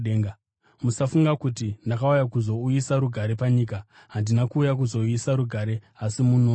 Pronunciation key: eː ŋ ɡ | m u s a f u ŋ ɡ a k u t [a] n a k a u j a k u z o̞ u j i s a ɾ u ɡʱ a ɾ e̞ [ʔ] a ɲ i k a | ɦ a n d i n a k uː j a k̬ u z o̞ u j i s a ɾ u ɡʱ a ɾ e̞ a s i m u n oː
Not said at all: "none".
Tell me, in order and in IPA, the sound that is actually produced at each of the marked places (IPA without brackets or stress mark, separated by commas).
i, p